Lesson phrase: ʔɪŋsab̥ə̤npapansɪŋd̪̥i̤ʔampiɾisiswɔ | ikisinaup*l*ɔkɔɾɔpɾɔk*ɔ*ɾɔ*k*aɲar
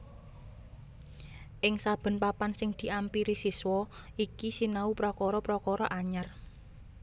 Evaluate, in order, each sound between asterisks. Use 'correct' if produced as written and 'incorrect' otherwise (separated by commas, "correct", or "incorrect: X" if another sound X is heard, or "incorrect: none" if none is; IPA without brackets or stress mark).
incorrect: ɾ, correct, incorrect: ʔ